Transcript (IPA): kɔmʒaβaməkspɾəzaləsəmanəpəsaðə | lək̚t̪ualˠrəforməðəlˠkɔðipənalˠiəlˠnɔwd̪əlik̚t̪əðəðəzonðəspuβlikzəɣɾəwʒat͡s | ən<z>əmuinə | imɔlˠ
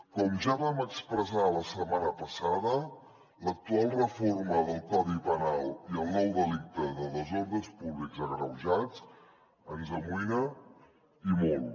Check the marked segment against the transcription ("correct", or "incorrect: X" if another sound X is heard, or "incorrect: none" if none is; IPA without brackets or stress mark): correct